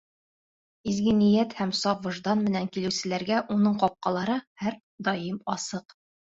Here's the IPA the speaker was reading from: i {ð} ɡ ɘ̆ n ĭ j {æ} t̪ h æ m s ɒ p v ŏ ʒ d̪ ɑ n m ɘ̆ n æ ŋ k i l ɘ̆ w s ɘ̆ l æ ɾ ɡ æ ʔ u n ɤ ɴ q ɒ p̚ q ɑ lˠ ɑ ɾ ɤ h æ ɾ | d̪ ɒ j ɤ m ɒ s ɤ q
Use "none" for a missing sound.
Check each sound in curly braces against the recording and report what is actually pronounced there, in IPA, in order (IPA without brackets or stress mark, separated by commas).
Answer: z, æ